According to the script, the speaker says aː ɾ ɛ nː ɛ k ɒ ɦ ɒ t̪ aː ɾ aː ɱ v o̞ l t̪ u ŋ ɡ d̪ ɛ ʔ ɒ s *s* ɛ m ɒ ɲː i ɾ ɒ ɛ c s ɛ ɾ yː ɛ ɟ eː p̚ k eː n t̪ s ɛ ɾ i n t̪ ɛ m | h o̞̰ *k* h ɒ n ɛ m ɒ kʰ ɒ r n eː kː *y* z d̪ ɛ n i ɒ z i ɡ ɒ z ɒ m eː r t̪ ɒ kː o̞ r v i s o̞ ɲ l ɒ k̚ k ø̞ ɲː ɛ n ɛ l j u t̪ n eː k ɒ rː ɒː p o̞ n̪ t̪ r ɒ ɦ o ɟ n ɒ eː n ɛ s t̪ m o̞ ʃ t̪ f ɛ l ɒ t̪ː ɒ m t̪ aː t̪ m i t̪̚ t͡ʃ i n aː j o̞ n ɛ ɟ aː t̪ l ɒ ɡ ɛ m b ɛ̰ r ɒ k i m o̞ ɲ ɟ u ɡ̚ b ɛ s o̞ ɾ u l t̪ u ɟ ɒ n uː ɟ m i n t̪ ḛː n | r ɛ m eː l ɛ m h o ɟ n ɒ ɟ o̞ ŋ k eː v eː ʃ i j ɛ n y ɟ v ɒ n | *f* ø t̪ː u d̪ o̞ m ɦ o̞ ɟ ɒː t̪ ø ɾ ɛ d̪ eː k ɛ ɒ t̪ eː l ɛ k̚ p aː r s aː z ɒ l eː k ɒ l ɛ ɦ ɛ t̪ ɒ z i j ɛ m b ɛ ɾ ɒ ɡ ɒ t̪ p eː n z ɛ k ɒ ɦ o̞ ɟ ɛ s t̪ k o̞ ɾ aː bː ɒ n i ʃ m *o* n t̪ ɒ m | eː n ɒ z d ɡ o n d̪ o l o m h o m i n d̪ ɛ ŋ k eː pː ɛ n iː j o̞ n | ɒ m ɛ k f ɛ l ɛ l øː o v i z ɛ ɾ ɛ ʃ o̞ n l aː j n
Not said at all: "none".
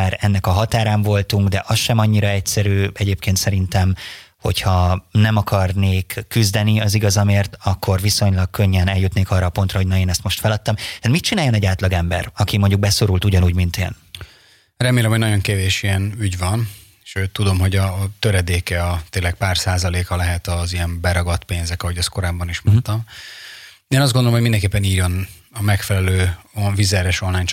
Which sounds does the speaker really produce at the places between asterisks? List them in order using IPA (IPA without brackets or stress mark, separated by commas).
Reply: ʃ, c, y, ʃ, o